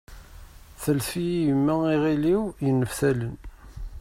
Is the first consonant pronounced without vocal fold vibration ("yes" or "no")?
yes